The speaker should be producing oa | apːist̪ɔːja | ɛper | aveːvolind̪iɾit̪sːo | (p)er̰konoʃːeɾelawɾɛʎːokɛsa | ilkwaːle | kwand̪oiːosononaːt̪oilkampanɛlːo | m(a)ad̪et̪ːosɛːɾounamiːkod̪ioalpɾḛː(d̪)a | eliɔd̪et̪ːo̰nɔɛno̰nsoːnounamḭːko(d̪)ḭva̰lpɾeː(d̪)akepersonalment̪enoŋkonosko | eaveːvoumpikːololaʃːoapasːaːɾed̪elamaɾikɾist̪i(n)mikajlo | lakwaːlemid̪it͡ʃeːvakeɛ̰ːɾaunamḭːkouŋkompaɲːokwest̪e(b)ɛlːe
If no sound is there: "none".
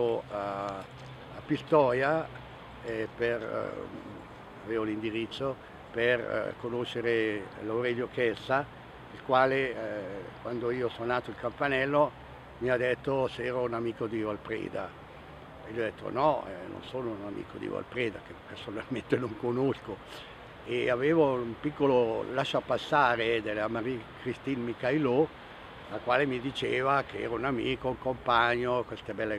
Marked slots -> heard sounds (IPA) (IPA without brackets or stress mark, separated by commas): p, i, d̪, d̪, d̪, n, b